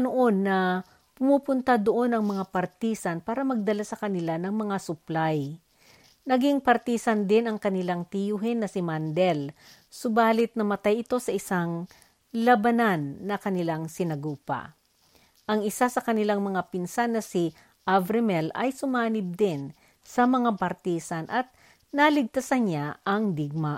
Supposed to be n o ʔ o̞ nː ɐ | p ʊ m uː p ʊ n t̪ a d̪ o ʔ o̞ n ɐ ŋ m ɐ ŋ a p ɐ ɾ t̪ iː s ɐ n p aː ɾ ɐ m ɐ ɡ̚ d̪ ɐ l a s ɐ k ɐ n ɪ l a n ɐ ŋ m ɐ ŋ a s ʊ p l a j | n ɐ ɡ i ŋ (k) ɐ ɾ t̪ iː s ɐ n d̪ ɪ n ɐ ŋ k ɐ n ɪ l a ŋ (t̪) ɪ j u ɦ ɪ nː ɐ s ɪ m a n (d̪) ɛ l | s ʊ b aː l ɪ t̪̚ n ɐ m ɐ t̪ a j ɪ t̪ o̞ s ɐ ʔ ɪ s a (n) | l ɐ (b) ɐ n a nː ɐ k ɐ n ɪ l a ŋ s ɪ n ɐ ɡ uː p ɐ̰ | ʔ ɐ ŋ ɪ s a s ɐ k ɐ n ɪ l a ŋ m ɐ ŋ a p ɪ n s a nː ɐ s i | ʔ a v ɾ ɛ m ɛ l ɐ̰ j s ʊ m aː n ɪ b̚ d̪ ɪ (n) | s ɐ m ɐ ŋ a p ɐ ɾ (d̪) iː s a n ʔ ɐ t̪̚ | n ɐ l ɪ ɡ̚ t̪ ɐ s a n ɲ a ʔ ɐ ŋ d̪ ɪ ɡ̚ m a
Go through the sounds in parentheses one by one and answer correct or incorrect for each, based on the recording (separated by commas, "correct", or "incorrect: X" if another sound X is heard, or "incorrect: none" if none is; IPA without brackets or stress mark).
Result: incorrect: p, correct, correct, incorrect: ŋ, correct, correct, incorrect: t̪